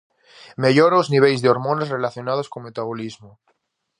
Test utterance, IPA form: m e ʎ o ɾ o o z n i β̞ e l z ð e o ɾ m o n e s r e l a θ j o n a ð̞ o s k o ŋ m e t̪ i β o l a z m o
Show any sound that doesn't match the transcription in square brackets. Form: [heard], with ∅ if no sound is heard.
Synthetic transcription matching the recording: m e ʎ o ɾ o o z n i β̞ e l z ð e o ɾ m o n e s r e l a θ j o n a ð̞ o s k o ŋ m e t̪ [a] β o l [i] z m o